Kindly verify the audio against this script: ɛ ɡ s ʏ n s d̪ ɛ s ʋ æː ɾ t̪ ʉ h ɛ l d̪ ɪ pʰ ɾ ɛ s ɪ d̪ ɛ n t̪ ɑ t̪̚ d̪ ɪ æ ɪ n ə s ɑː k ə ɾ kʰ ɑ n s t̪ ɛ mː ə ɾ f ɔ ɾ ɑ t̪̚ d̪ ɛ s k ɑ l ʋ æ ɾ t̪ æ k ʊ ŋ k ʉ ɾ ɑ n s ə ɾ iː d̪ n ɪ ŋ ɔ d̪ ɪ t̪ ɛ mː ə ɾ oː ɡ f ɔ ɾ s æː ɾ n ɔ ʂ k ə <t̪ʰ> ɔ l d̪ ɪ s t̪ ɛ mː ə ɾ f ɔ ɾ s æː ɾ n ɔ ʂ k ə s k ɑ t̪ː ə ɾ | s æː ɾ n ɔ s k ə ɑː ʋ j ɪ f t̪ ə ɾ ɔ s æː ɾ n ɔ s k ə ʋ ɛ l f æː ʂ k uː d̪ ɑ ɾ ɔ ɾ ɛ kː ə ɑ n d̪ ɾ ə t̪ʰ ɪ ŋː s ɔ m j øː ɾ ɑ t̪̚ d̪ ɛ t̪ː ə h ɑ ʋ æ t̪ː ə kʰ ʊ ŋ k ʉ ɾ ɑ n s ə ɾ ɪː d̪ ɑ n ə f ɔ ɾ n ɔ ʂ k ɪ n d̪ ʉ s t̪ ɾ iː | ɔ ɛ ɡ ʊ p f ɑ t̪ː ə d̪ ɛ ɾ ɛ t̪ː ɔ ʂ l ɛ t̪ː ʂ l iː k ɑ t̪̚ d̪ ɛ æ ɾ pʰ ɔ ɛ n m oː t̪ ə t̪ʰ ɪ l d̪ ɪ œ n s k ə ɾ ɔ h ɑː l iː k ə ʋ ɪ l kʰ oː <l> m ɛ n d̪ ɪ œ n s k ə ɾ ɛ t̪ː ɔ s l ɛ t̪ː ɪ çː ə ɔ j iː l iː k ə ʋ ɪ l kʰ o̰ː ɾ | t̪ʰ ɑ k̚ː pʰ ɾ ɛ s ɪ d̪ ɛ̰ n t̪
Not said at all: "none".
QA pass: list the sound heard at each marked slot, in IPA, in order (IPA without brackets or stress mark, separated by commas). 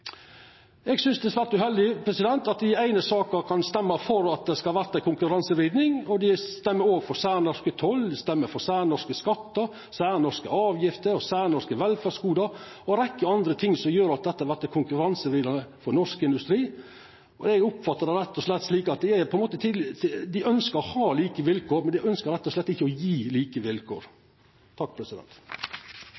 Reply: t̪ʰ, ɾ